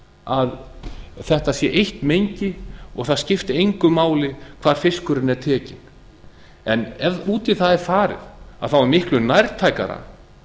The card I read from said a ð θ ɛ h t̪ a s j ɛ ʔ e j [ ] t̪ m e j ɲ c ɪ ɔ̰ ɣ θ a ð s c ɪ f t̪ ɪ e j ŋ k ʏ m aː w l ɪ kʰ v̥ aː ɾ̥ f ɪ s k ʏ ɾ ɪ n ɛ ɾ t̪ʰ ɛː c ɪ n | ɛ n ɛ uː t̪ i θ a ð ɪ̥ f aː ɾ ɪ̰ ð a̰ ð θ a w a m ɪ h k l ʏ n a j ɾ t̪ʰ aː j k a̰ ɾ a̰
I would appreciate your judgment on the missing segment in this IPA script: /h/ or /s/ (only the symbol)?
h